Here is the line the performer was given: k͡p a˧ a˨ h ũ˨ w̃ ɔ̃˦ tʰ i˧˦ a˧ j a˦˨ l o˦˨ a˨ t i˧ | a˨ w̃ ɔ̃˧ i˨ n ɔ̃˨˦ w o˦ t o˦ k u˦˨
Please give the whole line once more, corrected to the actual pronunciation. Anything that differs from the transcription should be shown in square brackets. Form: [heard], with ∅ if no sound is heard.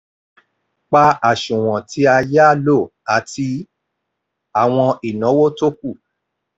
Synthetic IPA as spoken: k͡p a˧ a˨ [ʃ] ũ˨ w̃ [ɔ̃˨] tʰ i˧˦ a˧ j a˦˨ l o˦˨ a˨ t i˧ | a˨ w̃ ɔ̃˧ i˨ n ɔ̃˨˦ w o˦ t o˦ k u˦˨

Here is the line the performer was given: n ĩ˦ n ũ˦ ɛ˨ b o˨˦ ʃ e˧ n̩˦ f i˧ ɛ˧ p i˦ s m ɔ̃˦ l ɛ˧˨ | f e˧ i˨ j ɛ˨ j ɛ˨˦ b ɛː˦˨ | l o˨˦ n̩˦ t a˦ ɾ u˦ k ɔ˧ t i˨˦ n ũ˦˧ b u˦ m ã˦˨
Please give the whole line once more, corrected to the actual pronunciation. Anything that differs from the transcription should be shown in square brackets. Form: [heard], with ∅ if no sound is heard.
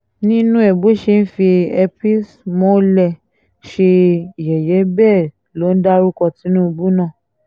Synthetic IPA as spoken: n ĩ˦ n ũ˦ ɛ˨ b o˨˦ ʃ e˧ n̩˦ f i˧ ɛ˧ p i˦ s m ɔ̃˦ l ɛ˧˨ | [ʃ] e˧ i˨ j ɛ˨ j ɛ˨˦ b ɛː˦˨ | l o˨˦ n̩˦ [d] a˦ ɾ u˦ k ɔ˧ t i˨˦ n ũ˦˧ b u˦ [n] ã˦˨

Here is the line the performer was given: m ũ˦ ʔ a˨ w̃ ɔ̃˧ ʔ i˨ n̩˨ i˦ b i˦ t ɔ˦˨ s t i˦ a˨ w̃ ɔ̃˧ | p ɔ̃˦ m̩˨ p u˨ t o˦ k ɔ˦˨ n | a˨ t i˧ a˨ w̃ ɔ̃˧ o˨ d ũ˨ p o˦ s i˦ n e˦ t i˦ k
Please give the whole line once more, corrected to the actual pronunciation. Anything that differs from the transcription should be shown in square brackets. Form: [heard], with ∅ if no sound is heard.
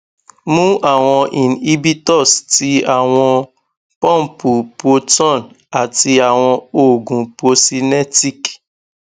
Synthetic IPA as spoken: m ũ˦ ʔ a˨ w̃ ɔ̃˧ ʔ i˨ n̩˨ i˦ b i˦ t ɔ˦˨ s t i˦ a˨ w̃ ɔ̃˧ | p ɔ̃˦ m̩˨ p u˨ [p] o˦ [t] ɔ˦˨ n | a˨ t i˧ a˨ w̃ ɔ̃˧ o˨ [ɡ] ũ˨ p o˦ s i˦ n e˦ t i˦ k

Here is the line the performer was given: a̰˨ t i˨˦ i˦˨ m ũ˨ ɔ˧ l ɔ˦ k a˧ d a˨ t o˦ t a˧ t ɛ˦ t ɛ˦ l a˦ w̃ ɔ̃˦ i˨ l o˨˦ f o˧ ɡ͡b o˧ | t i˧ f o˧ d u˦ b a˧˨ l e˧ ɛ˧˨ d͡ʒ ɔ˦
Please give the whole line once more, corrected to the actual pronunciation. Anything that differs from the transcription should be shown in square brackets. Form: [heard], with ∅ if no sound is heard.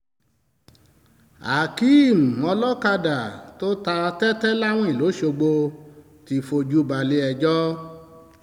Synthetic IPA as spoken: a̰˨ [k] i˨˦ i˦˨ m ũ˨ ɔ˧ l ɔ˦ k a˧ d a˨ t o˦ t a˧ t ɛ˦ t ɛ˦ l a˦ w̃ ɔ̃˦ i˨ l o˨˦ [ʃ] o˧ ɡ͡b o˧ | t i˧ f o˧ [d͡ʒ] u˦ b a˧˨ l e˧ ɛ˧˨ d͡ʒ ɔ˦

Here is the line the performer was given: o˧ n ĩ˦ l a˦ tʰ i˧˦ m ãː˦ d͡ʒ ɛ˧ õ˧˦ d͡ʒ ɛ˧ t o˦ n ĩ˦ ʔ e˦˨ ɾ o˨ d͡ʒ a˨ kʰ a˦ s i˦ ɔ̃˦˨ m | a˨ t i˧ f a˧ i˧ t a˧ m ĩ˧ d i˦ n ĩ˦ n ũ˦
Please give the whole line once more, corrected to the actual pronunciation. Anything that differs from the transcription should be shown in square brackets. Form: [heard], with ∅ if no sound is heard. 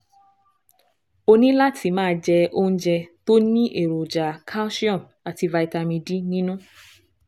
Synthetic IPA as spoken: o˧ n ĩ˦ l a˦ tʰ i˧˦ m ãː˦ d͡ʒ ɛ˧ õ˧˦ d͡ʒ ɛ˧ t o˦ n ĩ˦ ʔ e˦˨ ɾ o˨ d͡ʒ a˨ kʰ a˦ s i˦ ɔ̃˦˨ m | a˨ t i˧ [v] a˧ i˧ t a˧ m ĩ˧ d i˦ n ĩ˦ n ũ˦

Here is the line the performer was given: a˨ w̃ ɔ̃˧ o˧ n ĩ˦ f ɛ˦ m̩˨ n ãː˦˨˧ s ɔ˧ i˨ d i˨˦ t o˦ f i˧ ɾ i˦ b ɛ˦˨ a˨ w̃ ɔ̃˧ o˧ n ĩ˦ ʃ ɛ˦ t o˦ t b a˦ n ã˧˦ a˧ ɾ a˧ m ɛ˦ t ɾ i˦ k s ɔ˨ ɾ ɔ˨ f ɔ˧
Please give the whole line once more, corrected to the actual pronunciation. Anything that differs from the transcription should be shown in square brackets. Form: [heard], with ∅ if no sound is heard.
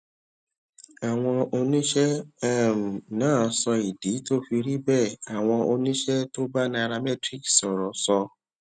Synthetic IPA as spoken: a˨ w̃ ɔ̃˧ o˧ n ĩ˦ [ʃ] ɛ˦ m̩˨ n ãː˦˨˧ s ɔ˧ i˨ d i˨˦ t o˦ f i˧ ɾ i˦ b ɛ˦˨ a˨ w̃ ɔ̃˧ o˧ n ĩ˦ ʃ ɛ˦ t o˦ [∅] b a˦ n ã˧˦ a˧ ɾ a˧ m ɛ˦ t ɾ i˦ k s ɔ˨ ɾ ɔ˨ [s] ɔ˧

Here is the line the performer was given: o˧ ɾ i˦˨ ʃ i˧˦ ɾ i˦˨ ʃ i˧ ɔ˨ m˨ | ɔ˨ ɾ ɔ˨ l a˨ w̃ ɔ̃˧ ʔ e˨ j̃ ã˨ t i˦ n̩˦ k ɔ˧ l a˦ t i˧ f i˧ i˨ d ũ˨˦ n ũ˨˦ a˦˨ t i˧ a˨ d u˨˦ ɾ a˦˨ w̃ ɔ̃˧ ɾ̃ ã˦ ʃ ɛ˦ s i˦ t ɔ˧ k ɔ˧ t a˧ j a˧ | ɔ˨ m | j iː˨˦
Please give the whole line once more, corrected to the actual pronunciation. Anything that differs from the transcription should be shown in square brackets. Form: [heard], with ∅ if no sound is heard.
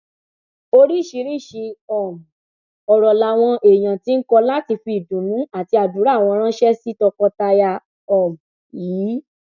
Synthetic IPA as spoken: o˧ ɾ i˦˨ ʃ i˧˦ ɾ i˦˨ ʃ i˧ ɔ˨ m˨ | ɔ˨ ɾ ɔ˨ l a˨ w̃ ɔ̃˧ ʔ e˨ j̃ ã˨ t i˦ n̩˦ k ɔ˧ l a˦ t i˧ f i˧ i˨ d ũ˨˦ n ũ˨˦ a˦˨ t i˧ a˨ d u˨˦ ɾ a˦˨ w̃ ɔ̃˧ ɾ̃ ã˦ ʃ ɛ˦ s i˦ t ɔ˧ k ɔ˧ t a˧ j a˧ | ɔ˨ m | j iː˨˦

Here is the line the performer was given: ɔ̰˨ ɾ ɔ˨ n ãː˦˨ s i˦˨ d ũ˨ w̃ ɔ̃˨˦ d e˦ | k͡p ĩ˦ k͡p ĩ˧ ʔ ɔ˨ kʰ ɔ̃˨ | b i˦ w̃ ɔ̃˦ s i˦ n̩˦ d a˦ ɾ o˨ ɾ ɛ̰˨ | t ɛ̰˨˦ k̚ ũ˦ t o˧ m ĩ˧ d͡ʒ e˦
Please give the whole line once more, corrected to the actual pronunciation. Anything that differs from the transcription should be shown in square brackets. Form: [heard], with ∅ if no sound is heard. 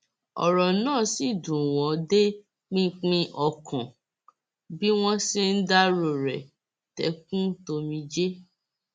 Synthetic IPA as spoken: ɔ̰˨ ɾ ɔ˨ n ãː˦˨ s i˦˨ d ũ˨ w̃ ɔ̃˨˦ d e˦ | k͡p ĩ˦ k͡p ĩ˧ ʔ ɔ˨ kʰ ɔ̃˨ | b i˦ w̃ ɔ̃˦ s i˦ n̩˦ d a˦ ɾ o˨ ɾ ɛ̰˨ | t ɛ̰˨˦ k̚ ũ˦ t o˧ m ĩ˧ d͡ʒ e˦

